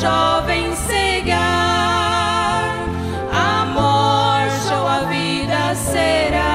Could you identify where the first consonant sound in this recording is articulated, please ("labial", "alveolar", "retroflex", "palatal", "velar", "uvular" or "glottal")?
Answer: labial